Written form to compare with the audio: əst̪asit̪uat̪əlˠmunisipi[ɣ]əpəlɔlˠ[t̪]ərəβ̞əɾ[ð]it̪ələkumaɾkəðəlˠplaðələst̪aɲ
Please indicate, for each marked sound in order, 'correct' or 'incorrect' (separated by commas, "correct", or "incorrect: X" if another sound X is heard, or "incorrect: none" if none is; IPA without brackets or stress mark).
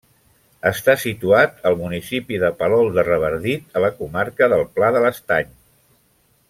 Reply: incorrect: ð, incorrect: d̪, correct